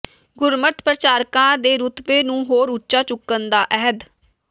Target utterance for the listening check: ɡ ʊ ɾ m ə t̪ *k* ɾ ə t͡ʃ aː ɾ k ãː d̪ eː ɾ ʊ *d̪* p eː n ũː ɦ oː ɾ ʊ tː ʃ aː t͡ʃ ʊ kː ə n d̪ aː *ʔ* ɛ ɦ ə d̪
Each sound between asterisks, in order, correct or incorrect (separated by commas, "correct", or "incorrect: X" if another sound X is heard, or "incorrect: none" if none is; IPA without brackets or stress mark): incorrect: p, incorrect: t̪, correct